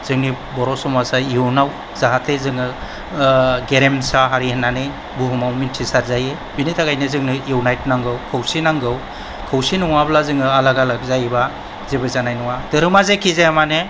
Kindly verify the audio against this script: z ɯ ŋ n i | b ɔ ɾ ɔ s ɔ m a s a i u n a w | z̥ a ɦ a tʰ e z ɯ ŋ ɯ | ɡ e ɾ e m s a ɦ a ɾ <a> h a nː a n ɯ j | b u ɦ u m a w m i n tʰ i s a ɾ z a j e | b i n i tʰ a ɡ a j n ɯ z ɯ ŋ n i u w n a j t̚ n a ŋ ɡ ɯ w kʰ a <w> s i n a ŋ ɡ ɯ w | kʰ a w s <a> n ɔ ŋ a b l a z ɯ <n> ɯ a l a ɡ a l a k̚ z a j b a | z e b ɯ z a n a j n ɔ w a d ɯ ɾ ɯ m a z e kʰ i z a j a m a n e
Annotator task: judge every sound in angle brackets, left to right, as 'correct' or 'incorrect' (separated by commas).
incorrect, correct, incorrect, incorrect